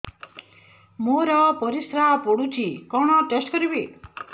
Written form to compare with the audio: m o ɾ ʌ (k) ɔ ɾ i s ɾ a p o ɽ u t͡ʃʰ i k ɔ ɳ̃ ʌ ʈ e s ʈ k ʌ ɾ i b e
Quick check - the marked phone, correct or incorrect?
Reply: incorrect